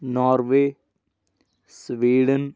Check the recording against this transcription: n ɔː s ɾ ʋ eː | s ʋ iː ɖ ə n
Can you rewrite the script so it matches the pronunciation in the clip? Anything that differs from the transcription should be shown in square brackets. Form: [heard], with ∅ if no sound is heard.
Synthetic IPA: n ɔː [∅] ɾ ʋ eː | s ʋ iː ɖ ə n